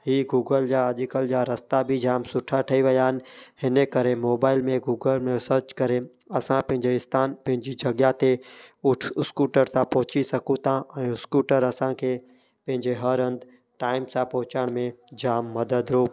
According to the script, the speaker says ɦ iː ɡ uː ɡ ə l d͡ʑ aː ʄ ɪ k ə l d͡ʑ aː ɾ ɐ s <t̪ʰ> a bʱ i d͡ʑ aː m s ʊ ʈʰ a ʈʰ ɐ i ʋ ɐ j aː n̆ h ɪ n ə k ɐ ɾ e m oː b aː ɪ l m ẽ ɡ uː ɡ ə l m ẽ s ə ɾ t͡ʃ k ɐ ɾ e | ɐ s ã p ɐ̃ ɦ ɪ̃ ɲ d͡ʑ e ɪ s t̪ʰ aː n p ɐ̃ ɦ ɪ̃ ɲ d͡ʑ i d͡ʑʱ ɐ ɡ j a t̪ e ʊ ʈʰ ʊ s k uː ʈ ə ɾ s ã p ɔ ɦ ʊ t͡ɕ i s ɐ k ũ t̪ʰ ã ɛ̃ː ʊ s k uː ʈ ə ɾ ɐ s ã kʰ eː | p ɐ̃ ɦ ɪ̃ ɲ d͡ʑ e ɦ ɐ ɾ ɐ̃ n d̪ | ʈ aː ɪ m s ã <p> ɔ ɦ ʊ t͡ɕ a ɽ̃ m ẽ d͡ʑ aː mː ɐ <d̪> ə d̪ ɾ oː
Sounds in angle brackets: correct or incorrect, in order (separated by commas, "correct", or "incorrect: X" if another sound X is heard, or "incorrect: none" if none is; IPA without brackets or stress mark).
incorrect: t̪, correct, correct